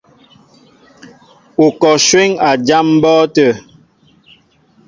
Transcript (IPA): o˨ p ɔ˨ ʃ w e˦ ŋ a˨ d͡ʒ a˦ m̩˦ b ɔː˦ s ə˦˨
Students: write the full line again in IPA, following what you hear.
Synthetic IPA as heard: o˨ k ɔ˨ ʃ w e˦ ŋ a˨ d͡ʒ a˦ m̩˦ b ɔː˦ t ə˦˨